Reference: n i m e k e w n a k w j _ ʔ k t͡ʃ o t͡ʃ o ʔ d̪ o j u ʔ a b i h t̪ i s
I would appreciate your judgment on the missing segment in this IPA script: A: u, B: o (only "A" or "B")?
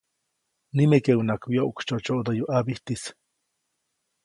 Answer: B